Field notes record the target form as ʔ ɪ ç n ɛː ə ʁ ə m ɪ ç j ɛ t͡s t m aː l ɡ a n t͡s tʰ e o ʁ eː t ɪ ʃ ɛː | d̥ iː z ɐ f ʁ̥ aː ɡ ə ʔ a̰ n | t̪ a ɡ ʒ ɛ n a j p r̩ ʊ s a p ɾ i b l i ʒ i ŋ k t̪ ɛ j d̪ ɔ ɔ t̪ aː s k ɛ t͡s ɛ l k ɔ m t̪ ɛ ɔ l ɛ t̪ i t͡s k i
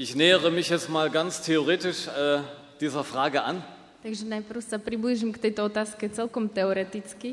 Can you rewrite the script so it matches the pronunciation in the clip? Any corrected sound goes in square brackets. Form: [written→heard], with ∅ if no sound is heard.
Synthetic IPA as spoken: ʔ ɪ ç n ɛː ə ʁ ə m ɪ ç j ɛ t͡s t m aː l ɡ a n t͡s tʰ e o ʁ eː t ɪ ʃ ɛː | d̥ iː z ɐ f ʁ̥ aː ɡ ə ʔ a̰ n | t̪ a ɡ ʒ ɛ n a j p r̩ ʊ s a p ɾ i b l i ʒ i [ŋ→m] k t̪ ɛ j [d̪→t̪] ɔ ɔ t̪ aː s k ɛ t͡s ɛ l k ɔ m t̪ ɛ ɔ [l→ɾ] ɛ t̪ i t͡s k i